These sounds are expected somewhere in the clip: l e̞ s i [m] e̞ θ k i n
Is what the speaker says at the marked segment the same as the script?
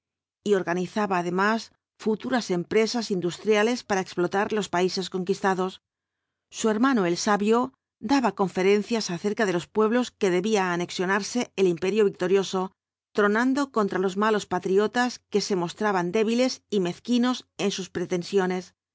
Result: yes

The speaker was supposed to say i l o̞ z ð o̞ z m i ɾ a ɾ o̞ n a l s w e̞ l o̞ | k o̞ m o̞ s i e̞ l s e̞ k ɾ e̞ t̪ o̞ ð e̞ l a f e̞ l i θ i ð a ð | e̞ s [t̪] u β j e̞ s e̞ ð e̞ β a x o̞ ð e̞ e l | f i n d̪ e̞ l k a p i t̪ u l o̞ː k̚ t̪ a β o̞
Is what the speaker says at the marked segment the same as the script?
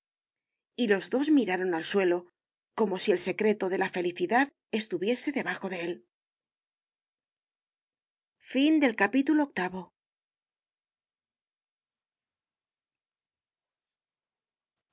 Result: yes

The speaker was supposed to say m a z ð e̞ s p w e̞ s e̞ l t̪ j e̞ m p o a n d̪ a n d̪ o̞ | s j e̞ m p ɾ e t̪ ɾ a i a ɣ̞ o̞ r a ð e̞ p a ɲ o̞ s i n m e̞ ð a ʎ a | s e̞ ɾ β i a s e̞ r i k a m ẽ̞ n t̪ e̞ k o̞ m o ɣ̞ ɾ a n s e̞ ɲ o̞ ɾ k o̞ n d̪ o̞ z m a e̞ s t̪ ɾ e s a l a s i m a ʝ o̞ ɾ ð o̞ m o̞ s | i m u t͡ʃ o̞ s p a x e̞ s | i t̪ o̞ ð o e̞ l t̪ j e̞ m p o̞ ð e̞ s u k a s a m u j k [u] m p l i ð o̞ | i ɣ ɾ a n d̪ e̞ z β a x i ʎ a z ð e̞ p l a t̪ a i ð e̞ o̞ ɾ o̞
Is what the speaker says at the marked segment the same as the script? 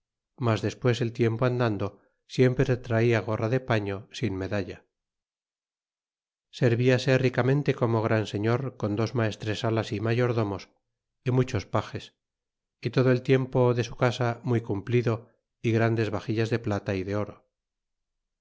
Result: yes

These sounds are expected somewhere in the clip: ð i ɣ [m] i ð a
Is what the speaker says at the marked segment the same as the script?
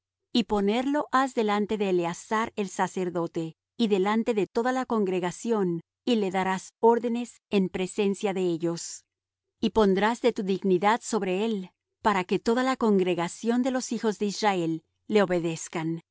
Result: no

